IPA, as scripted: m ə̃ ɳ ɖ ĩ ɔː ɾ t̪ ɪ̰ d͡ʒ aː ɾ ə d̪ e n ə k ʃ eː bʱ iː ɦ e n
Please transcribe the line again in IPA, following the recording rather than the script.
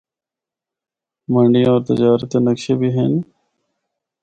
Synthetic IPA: m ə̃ ɳ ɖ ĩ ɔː ɾ t̪ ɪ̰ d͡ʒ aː ɾ ə t̪ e n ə k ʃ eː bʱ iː ɦ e n

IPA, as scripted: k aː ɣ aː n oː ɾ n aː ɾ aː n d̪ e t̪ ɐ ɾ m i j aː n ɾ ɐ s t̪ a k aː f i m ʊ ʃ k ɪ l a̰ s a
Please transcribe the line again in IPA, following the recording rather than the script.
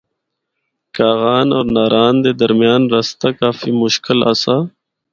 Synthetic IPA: k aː ɣ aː n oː ɾ n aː ɾ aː n d̪ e d̪ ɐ ɾ m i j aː n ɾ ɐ s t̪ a k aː f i m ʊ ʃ k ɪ l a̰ s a

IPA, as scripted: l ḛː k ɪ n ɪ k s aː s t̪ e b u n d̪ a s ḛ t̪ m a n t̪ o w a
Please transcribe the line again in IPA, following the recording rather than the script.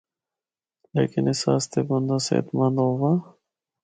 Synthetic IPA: l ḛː k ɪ n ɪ s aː s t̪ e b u n d̪ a s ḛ t̪ m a n d̪ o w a

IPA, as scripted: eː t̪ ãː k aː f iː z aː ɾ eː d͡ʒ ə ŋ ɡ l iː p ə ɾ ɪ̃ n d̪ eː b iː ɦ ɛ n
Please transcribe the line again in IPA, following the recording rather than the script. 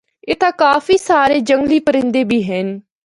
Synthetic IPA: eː t̪ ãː k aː f iː s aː ɾ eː d͡ʒ ə ŋ ɡ l iː p ə ɾ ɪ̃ n d̪ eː b iː ɦ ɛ n

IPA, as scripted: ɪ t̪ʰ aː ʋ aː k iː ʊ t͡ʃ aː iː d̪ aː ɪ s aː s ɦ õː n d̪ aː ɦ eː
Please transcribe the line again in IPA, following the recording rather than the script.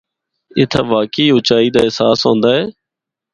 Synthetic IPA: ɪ t̪ʰ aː ʋ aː k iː ʊ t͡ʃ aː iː d̪ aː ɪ s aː s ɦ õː n d̪ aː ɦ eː

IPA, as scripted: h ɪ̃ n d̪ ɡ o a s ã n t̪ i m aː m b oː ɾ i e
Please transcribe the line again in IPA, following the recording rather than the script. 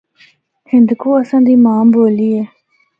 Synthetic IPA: h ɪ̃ n d̪ k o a s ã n d̪ i m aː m b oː l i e

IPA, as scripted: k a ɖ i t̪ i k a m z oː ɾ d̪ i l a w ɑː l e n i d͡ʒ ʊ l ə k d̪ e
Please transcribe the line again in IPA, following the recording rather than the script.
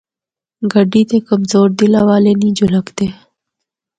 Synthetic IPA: ɡ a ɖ i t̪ e k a m z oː ɾ d̪ i l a w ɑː l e n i d͡ʒ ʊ l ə k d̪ e

